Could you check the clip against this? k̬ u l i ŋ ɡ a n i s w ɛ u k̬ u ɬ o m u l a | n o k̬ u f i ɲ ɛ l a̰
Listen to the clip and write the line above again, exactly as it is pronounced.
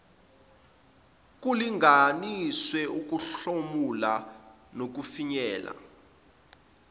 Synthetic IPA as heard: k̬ u l i ŋ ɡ a n i s w ɛ u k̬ u ɬ o m u l a | n o k̬ u f i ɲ ɛː l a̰